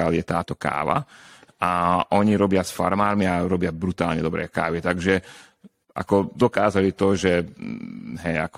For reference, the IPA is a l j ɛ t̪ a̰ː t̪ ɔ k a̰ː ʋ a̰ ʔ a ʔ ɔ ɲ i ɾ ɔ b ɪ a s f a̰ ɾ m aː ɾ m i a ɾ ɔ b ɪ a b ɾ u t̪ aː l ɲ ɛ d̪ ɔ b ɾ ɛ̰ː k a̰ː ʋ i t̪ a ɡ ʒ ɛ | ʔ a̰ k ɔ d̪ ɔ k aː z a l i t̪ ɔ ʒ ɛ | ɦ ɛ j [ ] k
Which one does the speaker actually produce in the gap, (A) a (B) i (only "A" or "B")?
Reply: A